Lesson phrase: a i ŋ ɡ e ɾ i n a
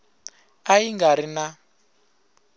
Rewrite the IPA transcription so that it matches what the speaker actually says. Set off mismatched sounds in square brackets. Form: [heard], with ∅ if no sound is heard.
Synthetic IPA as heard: a i ŋ ɡ [a] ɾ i n a